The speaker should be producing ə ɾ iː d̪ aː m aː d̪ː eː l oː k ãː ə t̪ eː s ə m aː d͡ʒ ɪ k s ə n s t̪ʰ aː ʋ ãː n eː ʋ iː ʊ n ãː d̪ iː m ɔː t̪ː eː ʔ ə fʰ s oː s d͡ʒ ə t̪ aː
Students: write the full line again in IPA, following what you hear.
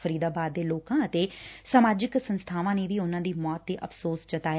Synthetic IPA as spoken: ə ɾ iː d̪ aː b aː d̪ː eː l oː k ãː ə t̪ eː s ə m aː d͡ʒ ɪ k s ə n s t̪ʰ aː ʋ ãː n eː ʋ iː ʊ n ãː d̪ iː m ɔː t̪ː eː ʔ ə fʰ s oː s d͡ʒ ə t̪ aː